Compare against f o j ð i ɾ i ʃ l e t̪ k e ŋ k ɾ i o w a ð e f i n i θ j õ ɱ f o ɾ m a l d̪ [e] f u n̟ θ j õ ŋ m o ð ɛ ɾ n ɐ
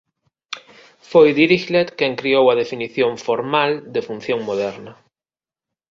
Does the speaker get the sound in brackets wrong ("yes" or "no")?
no